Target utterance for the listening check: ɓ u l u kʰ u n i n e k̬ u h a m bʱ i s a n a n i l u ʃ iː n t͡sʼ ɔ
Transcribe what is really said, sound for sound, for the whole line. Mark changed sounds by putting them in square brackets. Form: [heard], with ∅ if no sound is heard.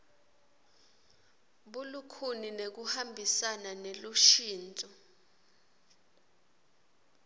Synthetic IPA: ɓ u l u kʰ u n i n e k̬ u h a m bʱ i s a n a n [e] l u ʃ iː n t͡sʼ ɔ